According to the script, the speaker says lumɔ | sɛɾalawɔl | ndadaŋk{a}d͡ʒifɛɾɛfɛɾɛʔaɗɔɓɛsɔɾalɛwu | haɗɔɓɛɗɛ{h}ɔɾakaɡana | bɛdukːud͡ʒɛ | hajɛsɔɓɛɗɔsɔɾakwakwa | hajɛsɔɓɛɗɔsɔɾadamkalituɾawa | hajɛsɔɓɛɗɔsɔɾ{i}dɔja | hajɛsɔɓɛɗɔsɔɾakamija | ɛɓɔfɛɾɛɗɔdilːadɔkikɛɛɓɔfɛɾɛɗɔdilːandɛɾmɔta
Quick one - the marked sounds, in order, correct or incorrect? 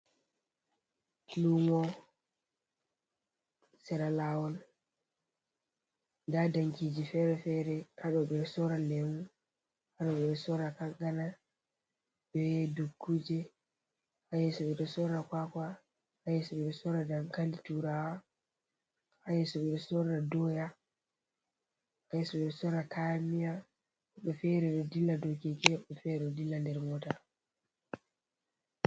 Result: incorrect, incorrect, incorrect

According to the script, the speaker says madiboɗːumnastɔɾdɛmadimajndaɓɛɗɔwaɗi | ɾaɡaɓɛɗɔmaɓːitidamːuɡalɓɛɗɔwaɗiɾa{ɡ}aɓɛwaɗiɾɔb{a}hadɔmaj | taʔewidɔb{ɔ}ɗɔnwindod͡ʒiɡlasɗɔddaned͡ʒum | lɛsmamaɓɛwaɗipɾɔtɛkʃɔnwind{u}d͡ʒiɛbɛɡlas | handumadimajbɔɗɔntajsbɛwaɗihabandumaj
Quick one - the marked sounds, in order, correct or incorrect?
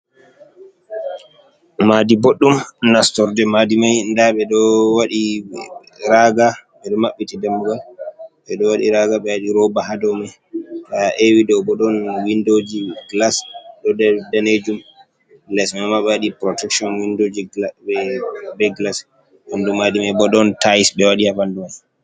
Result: correct, correct, correct, incorrect

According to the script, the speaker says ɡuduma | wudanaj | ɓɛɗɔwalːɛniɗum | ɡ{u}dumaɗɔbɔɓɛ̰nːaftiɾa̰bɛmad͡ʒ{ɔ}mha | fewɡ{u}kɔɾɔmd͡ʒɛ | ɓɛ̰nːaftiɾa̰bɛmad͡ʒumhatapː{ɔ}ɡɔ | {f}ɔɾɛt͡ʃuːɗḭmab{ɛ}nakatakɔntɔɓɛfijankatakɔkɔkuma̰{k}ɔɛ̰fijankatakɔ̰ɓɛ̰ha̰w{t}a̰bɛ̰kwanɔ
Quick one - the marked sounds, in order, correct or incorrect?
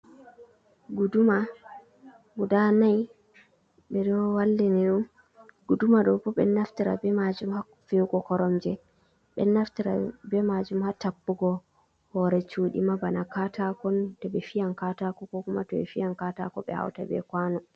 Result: correct, incorrect, incorrect, incorrect, incorrect, incorrect, incorrect, correct

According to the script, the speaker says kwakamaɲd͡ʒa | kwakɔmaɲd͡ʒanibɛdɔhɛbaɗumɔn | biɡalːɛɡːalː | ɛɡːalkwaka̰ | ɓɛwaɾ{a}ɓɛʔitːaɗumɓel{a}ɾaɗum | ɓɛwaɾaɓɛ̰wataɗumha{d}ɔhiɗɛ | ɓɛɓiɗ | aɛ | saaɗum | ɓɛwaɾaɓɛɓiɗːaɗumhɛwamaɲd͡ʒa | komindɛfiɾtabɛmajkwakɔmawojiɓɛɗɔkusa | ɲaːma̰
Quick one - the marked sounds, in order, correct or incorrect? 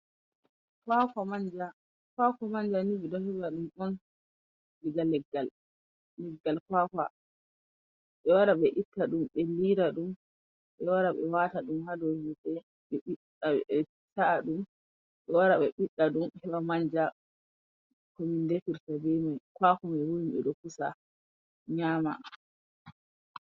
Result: correct, incorrect, correct

